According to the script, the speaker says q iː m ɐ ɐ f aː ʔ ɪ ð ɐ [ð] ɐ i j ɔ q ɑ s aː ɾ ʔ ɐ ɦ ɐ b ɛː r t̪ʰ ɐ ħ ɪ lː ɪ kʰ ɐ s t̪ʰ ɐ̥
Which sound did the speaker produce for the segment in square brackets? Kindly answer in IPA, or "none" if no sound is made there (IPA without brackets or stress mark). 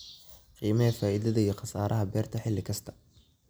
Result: ð